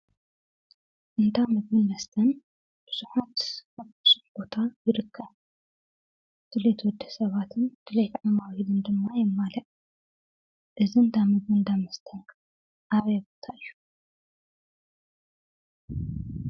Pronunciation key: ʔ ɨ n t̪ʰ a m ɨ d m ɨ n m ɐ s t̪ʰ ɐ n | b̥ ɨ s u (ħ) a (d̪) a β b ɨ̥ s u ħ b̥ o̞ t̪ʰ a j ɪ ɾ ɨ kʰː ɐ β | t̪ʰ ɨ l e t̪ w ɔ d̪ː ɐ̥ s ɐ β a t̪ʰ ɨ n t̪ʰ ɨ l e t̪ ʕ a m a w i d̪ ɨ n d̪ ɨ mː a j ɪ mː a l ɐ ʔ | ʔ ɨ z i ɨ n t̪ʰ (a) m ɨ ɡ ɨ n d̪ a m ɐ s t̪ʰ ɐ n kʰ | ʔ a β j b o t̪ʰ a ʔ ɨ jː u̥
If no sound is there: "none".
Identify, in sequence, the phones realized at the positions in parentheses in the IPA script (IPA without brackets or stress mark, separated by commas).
ħ, t̪, a